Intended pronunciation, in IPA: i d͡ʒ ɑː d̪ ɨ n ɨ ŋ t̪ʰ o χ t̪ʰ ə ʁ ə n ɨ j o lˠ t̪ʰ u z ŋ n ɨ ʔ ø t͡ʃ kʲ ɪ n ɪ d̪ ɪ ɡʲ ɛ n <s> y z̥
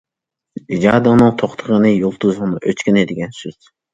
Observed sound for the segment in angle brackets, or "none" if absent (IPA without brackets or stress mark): s